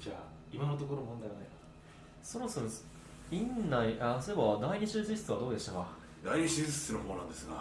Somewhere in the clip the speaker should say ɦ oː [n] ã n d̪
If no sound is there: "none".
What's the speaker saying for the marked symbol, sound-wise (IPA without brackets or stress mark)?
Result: n